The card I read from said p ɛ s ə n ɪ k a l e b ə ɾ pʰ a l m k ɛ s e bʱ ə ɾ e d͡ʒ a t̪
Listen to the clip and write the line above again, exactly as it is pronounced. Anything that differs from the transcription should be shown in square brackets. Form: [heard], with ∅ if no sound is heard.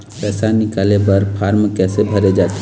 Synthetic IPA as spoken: p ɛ s [a] n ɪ k a l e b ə ɾ pʰ a [ɾ] m k ɛ s e bʱ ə ɾ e d͡ʒ a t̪